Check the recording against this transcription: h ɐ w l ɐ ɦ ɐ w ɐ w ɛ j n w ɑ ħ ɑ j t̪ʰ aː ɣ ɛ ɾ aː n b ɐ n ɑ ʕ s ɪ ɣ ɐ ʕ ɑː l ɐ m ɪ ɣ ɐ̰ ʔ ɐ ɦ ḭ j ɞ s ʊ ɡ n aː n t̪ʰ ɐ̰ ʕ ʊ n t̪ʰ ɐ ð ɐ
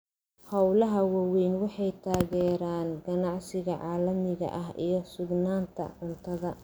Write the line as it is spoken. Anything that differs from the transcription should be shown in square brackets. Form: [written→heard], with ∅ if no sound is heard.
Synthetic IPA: h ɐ w l ɐ ɦ ɐ w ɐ w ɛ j n w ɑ ħ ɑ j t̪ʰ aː ɣ [ɛ→ɛː] ɾ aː n [b→ɡ] ɐ n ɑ ʕ s ɪ ɣ ɐ ʕ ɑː l ɐ m ɪ ɣ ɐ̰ ʔ ɐ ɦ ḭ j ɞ s ʊ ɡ n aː n t̪ʰ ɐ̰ ʕ ʊ n t̪ʰ ɐ ð ɐ